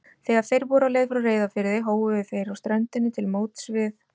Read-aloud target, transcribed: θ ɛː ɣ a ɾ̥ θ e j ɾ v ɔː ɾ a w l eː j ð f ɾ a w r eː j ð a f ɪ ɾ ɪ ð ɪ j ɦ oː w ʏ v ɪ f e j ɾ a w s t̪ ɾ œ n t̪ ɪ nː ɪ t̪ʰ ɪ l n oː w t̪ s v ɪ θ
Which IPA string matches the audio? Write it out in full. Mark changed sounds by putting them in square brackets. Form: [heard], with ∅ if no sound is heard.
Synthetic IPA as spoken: θ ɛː ɣ a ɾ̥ θ e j ɾ v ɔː ɾ a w l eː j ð f ɾ a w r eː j ð a f ɪ ɾ ɪ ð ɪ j ɦ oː w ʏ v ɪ [θ] e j ɾ a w s t̪ ɾ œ n t̪ ɪ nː ɪ t̪ʰ ɪ l [m] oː w t̪ s v ɪ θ